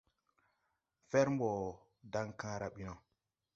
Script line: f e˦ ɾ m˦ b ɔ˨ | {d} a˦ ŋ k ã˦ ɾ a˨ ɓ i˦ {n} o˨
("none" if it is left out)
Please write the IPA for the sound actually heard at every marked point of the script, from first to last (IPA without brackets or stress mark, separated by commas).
d, n